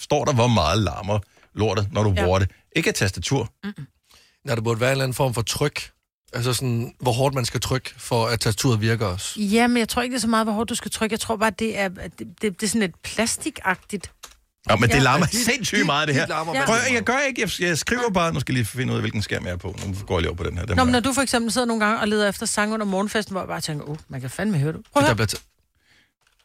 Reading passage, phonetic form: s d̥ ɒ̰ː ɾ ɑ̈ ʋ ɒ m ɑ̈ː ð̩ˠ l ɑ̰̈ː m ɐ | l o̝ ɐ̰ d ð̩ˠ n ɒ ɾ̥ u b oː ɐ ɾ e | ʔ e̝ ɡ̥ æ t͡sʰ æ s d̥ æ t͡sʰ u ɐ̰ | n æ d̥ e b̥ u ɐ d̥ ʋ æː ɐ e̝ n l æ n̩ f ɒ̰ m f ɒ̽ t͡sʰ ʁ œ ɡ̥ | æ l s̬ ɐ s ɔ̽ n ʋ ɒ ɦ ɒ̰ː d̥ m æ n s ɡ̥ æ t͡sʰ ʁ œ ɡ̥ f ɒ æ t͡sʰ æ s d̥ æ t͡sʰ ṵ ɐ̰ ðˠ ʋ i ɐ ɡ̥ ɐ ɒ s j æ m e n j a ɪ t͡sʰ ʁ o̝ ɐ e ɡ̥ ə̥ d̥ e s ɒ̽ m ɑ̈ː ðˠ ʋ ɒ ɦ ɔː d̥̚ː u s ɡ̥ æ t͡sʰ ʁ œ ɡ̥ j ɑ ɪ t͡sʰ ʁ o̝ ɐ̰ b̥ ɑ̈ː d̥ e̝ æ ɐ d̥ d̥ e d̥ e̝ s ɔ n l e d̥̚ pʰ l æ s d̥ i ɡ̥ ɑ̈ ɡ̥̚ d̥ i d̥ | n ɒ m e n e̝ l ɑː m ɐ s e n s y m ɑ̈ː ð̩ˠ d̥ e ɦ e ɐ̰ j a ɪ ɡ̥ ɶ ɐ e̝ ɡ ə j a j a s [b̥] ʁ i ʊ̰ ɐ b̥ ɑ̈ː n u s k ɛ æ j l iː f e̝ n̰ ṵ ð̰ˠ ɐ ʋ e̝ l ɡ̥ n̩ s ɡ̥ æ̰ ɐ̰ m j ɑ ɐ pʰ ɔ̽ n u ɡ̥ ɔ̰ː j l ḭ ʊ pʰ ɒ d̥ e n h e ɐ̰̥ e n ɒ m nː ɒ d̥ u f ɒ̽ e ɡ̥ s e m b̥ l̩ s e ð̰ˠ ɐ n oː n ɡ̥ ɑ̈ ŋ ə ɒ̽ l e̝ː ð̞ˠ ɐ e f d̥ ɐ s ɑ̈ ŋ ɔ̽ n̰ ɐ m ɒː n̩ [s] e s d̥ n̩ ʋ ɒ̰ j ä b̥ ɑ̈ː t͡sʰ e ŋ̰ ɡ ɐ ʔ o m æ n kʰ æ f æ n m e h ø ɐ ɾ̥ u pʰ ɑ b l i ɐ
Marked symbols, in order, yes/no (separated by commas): no, no